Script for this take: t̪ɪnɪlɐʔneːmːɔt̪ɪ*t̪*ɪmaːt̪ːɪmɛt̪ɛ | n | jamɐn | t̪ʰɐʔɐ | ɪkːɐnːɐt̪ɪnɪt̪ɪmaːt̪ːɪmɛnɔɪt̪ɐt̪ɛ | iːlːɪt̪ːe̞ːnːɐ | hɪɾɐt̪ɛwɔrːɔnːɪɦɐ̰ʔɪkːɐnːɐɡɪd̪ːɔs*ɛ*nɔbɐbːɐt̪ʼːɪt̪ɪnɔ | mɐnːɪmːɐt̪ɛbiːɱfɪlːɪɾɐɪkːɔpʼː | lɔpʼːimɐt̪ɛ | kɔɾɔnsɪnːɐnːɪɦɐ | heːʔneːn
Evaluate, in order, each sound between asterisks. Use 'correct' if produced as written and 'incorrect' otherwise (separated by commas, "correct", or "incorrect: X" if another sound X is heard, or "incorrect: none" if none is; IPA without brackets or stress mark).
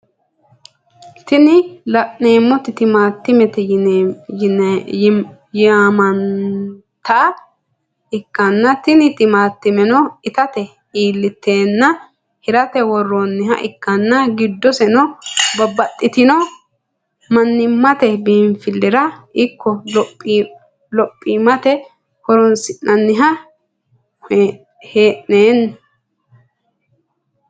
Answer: correct, correct